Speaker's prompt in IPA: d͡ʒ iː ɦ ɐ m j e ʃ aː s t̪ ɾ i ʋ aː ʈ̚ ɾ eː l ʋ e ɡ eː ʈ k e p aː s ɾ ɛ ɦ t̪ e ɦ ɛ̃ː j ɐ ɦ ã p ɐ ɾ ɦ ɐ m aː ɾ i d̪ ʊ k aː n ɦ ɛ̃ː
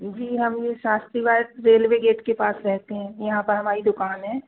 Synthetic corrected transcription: d͡ʒ iː ɦ ɐ m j e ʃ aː s t̪ ɾ i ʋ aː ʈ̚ ɾ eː l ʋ e ɡ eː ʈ k e p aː s ɾ ɛ ɦ t̪ e ɦ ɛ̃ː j ɐ ɦ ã p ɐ ɾ ɦ ɐ m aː ɾ i d̪ ʊ k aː n ɦ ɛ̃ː